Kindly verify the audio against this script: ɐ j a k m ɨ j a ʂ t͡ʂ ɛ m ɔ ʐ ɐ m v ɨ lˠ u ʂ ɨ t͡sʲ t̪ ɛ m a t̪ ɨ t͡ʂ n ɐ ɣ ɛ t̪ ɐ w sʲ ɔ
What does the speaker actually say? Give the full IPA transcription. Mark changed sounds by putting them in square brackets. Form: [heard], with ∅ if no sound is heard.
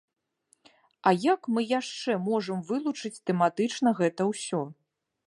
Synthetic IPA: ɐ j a k m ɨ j a ʂ t͡ʂ ɛ m ɔ ʐ ɐ m v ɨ lˠ u [t͡ʂ] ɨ t͡sʲ t̪ ɛ m a t̪ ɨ t͡ʂ n ɐ ɣ ɛ t̪ ɐ w sʲ ɔ